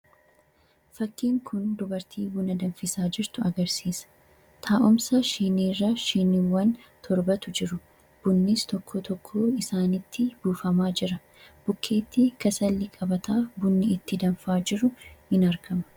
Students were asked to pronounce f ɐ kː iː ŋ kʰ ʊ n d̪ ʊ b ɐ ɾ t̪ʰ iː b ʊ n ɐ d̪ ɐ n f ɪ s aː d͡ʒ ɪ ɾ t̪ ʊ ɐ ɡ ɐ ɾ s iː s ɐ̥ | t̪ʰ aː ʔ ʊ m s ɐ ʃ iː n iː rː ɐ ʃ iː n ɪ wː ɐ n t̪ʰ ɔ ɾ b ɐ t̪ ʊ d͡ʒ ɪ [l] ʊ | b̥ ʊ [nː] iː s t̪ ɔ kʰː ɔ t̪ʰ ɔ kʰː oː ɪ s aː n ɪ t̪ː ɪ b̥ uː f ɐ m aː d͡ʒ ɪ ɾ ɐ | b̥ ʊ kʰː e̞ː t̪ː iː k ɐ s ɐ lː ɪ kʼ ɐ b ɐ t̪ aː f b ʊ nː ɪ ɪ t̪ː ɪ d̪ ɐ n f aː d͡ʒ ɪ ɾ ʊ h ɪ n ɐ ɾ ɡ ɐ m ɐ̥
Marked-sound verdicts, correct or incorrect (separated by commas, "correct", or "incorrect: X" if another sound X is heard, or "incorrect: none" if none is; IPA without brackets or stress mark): incorrect: ɾ, correct